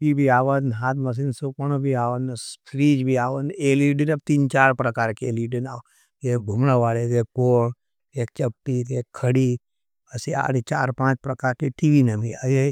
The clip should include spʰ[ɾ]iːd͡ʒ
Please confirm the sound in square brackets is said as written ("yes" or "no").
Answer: yes